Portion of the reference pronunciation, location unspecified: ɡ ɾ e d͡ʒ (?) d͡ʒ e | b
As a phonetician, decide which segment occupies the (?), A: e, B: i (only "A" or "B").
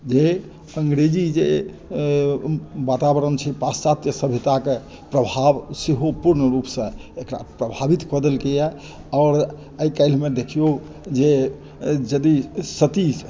B